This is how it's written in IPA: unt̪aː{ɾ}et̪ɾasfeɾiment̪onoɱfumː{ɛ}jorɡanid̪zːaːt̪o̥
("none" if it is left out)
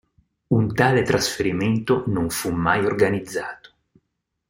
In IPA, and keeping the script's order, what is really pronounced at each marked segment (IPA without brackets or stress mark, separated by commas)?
l, a